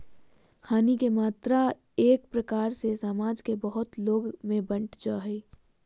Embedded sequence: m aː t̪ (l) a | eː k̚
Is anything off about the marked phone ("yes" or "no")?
yes